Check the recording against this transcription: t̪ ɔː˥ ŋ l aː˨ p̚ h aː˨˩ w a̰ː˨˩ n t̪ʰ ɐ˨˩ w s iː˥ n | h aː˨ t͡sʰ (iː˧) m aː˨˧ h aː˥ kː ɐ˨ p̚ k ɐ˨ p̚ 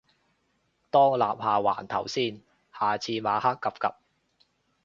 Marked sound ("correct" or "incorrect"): correct